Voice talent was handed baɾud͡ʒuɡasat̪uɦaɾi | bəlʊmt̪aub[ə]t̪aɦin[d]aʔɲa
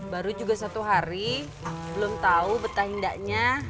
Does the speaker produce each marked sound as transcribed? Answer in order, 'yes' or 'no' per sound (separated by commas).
yes, yes